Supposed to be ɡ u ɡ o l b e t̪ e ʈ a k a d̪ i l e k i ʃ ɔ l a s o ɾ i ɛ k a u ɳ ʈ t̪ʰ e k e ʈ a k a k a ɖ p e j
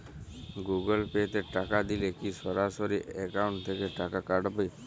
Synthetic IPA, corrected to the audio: ɡ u ɡ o l p e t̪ e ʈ a k a d̪ i l e k i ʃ ɔ ɾ a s o ɾ i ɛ k a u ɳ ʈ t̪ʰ e k e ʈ a k a k a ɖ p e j